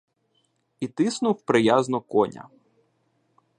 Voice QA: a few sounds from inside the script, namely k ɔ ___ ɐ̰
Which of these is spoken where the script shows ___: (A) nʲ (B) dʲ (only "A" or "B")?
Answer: A